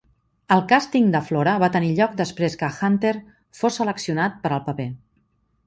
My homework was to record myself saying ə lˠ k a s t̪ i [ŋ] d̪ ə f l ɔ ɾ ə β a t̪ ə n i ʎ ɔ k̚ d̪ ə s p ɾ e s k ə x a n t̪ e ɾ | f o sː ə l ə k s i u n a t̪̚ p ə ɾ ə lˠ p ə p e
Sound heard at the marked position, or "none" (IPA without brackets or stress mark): ŋ